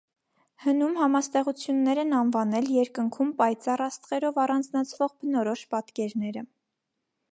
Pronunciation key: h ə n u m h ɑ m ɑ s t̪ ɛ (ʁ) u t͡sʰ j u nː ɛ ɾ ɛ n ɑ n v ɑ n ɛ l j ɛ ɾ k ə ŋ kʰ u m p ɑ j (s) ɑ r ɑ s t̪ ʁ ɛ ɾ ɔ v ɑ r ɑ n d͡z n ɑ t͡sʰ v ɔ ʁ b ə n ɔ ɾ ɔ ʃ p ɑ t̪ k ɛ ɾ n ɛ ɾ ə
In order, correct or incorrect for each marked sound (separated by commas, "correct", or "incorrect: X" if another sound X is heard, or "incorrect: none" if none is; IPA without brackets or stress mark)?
correct, incorrect: t͡s